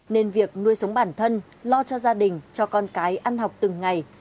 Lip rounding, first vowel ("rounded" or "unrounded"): unrounded